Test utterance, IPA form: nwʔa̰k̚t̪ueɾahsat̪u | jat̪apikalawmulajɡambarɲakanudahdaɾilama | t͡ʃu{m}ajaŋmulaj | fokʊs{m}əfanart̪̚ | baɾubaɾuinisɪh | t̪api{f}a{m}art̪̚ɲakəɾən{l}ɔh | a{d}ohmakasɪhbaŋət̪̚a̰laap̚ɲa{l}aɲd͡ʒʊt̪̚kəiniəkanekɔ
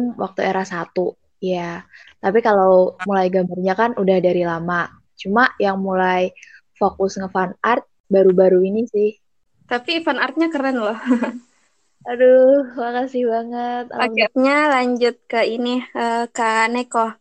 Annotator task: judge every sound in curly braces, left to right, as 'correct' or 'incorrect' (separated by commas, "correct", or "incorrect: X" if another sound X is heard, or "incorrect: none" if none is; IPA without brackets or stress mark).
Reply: correct, incorrect: ŋ, correct, incorrect: n, correct, correct, correct